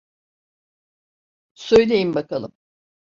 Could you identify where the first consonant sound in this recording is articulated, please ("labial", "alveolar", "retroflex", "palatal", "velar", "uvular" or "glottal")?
alveolar